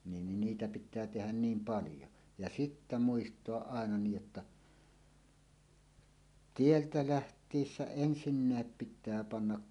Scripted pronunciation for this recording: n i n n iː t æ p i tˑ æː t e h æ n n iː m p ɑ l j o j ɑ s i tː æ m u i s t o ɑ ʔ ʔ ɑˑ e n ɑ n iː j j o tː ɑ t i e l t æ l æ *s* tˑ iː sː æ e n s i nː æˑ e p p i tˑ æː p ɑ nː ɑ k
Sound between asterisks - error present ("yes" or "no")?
yes